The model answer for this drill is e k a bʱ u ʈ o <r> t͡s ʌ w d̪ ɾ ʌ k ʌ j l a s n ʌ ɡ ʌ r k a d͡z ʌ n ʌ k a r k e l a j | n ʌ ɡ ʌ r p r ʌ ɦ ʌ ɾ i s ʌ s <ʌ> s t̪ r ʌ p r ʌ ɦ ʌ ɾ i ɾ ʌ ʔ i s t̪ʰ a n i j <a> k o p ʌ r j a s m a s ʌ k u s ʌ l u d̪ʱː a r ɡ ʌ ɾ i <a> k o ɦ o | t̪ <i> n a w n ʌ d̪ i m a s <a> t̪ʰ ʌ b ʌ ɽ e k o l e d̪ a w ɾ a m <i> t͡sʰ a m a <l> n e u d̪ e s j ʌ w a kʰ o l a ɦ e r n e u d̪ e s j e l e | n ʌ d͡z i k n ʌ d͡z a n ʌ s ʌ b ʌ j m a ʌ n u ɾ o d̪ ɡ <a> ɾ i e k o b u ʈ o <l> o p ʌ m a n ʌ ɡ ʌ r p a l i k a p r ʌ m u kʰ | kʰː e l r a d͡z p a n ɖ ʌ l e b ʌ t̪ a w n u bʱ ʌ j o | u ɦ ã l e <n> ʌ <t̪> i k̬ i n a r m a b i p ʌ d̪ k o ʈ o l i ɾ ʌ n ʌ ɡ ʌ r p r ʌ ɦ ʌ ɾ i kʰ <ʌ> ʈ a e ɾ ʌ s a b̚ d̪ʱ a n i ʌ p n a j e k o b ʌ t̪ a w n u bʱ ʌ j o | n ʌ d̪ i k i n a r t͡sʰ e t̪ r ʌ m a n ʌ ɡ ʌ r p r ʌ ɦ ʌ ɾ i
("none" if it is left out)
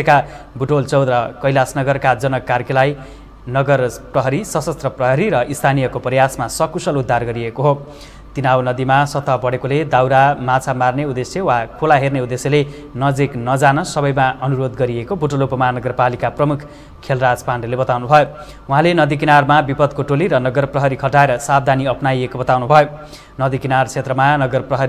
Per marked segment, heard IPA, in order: l, ʌ, ʌ, e, i, ʌ, a, r, ʌ, l, n, d̪, ʌ

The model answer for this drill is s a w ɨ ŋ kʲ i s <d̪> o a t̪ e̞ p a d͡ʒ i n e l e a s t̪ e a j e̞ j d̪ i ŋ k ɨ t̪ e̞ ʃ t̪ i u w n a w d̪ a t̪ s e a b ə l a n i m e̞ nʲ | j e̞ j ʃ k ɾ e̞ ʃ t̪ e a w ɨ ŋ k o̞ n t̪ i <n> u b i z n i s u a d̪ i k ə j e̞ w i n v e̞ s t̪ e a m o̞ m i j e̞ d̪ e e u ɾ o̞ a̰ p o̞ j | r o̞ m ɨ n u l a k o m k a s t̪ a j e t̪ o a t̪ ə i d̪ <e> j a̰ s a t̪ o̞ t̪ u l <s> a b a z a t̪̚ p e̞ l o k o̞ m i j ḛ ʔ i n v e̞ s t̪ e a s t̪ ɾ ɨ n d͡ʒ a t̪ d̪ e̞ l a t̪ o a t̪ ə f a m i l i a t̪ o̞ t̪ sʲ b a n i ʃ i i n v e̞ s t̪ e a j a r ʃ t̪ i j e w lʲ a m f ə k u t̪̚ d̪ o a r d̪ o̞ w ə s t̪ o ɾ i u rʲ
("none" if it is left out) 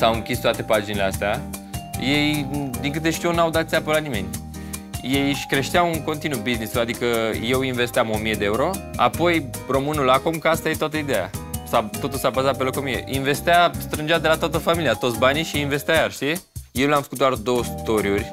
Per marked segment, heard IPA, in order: t̪, n, e, s

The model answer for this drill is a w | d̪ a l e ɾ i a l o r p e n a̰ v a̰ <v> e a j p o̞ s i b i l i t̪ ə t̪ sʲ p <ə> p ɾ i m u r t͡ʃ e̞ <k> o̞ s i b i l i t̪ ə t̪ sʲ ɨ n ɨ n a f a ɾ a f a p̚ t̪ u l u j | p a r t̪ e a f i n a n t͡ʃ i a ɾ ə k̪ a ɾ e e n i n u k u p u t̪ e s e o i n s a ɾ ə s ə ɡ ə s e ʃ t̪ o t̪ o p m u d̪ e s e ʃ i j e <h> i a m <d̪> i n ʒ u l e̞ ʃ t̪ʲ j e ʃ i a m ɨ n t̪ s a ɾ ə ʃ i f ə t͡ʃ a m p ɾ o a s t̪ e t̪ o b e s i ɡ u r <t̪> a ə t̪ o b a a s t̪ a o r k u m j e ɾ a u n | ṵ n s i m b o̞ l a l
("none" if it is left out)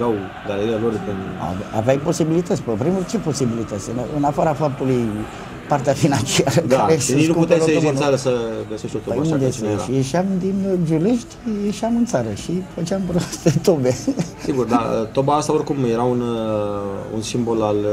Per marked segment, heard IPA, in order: v, ə, p, ʃ, d̪, d̪

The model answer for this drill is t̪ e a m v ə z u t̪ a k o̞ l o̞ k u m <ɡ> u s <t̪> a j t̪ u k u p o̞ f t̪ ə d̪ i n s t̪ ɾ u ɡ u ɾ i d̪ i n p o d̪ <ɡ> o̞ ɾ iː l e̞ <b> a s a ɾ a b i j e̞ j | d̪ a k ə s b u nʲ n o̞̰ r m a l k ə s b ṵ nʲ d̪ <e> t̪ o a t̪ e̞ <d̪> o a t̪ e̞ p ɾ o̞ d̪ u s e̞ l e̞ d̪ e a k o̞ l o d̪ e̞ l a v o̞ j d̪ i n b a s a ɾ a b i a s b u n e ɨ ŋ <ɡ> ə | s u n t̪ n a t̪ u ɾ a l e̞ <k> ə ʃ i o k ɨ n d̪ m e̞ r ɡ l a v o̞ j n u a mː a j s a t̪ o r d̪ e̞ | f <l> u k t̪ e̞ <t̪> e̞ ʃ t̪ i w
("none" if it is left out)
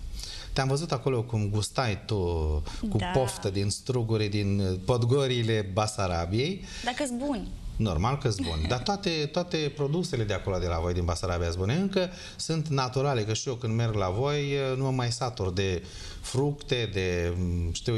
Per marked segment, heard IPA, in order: ɡ, t̪, ɡ, b, a, t̪, k, k, ɾ, d̪

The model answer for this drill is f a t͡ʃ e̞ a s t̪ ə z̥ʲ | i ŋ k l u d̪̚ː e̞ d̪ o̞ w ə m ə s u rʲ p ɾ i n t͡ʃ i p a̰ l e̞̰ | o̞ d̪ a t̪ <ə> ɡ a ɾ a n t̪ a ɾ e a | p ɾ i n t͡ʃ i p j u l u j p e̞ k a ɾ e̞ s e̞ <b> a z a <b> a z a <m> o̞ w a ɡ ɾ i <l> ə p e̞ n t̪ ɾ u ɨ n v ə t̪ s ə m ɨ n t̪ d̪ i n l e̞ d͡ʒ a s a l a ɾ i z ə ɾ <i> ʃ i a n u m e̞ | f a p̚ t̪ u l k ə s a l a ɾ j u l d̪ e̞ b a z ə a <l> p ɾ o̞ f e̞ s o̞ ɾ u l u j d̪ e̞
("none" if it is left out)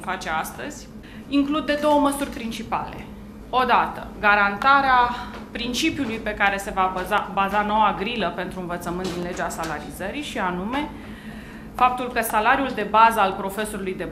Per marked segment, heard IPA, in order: ə, v, b, n, l, i, l

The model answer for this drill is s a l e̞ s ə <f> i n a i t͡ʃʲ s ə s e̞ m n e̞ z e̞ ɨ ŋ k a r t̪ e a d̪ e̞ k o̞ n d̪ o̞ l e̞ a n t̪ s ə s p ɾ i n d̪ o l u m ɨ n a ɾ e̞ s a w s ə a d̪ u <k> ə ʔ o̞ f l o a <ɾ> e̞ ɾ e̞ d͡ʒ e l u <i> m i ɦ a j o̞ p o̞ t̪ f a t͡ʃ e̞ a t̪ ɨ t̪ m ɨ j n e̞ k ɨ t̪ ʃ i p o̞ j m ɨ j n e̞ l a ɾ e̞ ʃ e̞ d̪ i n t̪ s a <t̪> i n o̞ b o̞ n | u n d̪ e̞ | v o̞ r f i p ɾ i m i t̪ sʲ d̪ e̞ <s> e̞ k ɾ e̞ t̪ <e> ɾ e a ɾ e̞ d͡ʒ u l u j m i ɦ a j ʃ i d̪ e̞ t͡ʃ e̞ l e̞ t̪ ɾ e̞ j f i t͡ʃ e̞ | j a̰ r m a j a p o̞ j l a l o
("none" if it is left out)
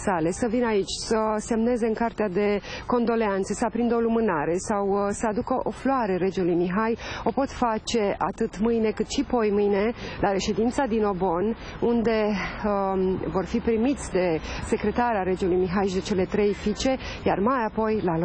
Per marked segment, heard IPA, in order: v, k, ɾ, j, d̪, s, a

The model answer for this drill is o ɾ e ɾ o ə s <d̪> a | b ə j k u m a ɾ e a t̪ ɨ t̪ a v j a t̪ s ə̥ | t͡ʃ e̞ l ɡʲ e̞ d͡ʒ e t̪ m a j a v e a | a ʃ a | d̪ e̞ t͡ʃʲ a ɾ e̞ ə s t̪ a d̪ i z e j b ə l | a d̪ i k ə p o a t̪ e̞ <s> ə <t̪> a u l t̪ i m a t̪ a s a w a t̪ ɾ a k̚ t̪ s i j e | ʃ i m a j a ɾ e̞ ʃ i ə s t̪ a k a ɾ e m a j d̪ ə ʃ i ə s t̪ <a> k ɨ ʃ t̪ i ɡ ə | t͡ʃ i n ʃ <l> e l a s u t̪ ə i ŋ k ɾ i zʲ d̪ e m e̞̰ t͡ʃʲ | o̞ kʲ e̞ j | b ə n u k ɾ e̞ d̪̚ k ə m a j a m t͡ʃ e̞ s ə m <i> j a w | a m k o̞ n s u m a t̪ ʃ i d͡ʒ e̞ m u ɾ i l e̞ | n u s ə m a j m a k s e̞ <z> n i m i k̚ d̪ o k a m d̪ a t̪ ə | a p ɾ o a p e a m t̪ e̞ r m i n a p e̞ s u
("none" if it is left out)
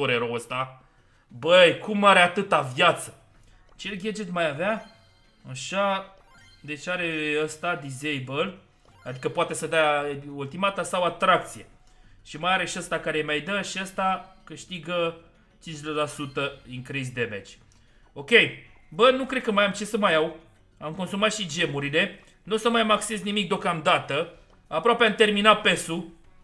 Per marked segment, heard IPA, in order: t̪, s, d̪, a, l, a, z

